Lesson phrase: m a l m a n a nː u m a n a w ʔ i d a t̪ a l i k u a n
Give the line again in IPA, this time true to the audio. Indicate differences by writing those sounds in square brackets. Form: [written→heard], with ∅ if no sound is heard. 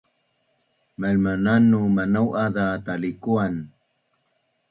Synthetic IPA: m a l m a n a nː u m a n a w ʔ [i→a] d a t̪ a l i k u a n